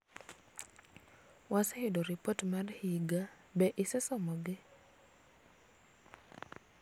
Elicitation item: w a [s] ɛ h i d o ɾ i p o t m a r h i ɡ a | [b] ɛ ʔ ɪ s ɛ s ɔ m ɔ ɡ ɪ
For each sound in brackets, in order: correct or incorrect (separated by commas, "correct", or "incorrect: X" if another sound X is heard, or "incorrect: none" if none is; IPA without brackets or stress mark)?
correct, correct